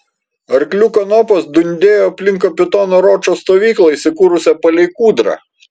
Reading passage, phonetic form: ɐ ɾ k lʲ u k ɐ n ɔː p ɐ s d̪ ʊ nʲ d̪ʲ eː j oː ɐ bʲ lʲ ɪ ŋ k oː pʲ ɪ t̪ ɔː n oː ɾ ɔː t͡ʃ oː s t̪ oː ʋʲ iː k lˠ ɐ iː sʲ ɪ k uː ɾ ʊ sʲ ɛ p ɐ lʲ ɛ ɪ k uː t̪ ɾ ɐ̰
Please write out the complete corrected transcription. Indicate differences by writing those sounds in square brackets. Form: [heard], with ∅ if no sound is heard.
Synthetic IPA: ɐ ɾ k lʲ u k ɐ n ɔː p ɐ s d̪ ʊ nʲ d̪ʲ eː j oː ɐ [pʲ] lʲ ɪ ŋ k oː pʲ ɪ t̪ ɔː n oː ɾ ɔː t͡ʃ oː s t̪ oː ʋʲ iː k lˠ ɐ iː sʲ ɪ k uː ɾ ʊ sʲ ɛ p ɐ lʲ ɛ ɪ k uː [d̪] ɾ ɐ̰